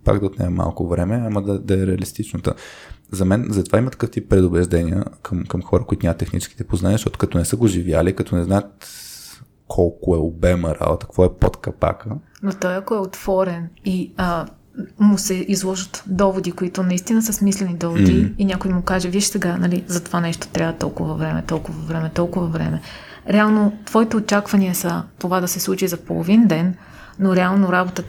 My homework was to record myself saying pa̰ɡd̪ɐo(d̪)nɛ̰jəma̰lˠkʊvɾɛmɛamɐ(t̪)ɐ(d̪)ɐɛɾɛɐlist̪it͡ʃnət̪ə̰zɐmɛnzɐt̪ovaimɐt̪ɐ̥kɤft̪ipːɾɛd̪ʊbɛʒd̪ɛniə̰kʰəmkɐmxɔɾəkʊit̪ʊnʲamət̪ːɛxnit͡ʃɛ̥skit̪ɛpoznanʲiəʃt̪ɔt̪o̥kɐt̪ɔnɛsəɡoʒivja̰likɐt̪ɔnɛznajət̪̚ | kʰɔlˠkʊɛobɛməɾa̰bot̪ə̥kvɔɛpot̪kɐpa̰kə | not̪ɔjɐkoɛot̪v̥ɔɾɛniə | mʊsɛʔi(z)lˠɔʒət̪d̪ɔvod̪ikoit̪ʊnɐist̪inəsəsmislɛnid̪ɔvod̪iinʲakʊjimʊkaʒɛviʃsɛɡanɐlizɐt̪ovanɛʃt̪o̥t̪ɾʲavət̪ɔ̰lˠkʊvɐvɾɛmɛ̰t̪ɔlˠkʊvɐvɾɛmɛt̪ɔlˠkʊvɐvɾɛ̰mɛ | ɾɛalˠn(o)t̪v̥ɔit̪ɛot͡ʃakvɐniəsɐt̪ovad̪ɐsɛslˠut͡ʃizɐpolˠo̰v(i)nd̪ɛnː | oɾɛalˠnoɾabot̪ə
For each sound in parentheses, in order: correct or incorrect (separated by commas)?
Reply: incorrect, incorrect, correct, correct, correct, correct